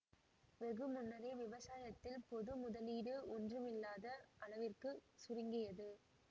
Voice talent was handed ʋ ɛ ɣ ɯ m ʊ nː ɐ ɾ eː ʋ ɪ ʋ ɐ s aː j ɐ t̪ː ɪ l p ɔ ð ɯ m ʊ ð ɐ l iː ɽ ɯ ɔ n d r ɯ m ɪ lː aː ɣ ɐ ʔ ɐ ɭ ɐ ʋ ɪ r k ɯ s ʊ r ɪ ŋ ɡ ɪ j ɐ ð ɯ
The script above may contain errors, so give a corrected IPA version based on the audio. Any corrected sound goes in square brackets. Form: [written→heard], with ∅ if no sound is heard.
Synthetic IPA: ʋ ɛ ɣ ɯ m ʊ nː ɐ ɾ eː ʋ ɪ ʋ ɐ s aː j ɐ t̪ː ɪ l p ɔ ð ɯ m ʊ ð ɐ l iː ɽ ɯ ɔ n d r ɯ m ɪ lː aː [ɣ→ð] ɐ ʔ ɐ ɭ ɐ ʋ ɪ r k ɯ s ʊ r ɪ ŋ ɡ ɪ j ɐ ð ɯ